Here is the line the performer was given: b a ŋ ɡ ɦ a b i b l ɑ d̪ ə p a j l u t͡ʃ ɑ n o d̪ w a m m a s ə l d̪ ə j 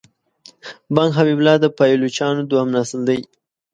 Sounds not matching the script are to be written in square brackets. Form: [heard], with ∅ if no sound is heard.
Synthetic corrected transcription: b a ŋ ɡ ɦ a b i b l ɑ d̪ ə p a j l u t͡ʃ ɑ n o d̪ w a m [n] a s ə l d̪ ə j